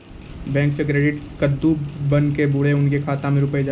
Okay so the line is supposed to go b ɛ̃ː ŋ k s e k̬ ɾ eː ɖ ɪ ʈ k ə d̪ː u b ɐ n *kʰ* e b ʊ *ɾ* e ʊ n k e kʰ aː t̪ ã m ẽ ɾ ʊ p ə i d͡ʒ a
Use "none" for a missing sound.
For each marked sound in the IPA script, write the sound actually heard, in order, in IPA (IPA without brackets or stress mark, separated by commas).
k, ɽ